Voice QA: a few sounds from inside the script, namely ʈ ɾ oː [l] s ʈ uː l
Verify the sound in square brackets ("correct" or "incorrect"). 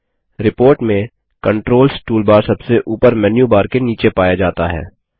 correct